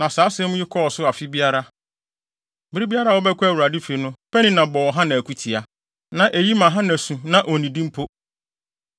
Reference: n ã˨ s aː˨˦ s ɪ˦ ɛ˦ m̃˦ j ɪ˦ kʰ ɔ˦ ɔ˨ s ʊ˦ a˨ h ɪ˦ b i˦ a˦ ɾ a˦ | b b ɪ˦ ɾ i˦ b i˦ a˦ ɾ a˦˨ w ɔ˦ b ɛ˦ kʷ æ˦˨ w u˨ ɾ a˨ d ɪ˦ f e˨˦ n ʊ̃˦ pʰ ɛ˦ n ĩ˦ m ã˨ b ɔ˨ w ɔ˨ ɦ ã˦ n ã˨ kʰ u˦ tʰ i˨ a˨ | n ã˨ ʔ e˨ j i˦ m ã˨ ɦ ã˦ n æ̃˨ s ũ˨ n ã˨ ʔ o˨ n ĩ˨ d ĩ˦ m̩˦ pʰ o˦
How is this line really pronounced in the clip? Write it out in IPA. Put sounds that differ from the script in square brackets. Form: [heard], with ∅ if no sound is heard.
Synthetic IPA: n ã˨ s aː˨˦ s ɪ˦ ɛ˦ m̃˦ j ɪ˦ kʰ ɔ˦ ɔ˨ s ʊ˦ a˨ [f] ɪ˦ b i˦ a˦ ɾ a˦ | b b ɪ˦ ɾ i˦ b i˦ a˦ ɾ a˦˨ w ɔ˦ b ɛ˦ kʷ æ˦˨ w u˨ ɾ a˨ d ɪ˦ f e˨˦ n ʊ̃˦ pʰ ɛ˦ n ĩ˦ [n] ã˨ b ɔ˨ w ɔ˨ ɦ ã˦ n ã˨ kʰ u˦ tʰ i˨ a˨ | n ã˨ ʔ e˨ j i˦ m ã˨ ɦ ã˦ n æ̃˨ s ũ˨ n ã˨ ʔ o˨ n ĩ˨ d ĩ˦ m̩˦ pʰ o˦